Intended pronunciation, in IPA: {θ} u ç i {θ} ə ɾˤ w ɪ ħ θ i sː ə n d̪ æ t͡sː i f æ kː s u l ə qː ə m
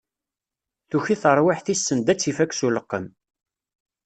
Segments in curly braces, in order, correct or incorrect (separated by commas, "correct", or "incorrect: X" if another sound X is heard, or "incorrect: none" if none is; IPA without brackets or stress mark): correct, correct